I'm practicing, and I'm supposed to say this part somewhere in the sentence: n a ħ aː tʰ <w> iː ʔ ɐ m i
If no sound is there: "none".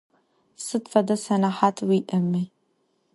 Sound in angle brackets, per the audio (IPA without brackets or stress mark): w